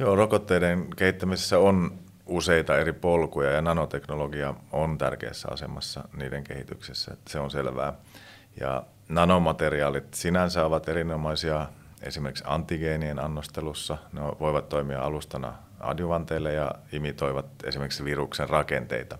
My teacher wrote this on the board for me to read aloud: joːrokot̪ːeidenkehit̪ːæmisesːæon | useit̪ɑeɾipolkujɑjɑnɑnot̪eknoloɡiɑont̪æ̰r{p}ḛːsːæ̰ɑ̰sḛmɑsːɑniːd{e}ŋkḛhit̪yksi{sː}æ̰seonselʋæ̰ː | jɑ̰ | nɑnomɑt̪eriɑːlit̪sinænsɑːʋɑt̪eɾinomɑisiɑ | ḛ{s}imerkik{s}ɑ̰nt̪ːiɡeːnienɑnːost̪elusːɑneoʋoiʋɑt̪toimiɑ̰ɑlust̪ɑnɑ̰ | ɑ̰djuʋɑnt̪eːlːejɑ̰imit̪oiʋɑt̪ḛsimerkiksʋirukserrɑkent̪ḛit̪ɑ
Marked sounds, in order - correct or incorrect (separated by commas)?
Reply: incorrect, correct, correct, correct, correct